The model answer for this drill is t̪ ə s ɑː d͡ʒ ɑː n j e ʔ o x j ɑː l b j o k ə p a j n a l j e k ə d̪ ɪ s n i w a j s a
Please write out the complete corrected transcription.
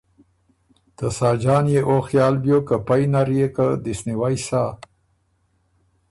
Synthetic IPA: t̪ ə s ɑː d͡ʒ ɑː n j e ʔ o x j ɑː l b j o k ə p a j n a ɾ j e k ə d̪ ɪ s n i w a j s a